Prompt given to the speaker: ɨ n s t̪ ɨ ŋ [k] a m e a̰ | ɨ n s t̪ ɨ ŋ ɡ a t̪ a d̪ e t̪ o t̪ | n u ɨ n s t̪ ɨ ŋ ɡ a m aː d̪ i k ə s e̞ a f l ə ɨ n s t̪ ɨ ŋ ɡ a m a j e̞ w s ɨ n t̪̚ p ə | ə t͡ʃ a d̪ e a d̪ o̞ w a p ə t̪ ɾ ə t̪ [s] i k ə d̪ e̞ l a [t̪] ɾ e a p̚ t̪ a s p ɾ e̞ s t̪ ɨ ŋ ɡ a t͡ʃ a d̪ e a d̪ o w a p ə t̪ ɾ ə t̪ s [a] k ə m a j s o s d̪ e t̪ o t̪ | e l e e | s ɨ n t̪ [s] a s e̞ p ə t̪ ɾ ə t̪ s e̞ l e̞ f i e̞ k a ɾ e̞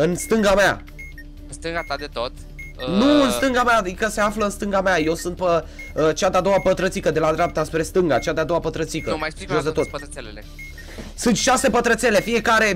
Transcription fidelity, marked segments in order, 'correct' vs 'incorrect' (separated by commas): incorrect, correct, incorrect, incorrect, incorrect